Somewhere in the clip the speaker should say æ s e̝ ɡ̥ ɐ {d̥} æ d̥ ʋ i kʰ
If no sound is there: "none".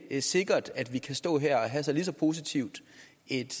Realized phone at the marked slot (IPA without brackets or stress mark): d̥